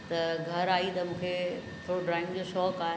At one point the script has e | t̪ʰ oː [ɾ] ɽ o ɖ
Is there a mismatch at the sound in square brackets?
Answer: yes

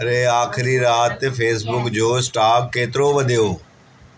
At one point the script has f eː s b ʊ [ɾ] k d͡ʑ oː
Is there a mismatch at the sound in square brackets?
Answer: yes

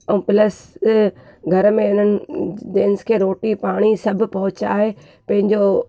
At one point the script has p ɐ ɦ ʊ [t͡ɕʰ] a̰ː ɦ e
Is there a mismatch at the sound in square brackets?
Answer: yes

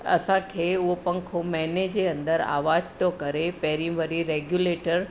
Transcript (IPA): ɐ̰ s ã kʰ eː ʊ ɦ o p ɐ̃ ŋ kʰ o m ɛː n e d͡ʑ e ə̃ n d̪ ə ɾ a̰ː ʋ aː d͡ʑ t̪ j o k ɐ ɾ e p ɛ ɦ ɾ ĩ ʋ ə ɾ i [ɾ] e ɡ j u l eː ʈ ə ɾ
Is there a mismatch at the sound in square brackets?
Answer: no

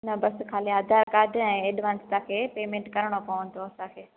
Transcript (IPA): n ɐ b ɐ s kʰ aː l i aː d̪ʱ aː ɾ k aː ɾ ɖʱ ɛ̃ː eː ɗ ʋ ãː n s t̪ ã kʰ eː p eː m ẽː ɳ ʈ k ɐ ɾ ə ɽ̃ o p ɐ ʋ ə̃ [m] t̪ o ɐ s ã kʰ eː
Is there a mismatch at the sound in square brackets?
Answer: yes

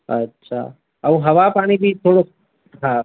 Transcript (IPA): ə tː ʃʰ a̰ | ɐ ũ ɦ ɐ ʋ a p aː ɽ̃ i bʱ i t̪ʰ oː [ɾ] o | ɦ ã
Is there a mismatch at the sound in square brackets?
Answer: yes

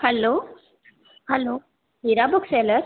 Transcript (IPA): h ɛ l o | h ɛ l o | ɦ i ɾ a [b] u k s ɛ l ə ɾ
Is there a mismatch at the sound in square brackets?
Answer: no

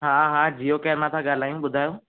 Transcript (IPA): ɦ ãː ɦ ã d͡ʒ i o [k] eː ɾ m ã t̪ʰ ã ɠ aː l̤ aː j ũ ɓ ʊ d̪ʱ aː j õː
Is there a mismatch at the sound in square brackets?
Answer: no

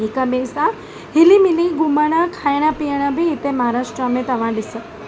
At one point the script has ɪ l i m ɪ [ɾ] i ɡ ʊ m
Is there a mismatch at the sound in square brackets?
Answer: yes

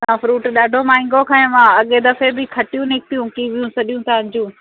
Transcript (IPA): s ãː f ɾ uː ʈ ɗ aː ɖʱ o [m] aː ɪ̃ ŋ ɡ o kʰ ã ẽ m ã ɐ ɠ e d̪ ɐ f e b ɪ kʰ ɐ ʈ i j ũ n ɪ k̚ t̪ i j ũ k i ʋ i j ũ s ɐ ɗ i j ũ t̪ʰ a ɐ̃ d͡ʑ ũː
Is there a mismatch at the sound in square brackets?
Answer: no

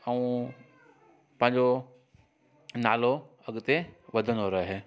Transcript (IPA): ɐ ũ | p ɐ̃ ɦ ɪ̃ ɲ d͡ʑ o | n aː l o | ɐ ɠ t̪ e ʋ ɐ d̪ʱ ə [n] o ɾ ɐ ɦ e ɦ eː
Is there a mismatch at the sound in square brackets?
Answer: no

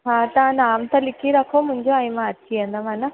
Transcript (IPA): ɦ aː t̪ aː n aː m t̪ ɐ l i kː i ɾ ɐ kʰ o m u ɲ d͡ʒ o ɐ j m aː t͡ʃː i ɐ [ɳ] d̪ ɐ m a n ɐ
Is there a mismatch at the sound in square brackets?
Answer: yes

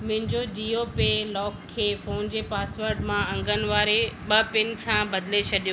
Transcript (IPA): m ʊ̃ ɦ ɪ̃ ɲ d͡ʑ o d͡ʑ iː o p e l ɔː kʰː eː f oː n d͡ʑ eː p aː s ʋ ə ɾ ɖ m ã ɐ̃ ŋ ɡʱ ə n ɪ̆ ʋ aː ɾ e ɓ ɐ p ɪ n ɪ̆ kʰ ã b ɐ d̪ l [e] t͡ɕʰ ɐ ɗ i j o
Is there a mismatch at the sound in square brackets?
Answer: no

